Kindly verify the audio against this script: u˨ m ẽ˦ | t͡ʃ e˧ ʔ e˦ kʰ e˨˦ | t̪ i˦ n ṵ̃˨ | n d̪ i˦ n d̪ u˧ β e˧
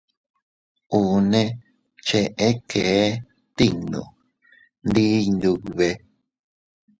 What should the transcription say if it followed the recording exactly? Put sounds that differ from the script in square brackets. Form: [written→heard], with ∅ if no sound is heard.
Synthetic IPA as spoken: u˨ [m→n] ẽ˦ | t͡ʃ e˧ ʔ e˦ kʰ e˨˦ | t̪ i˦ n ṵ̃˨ | n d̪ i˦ n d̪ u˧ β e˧